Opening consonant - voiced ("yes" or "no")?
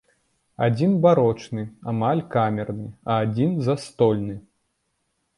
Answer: yes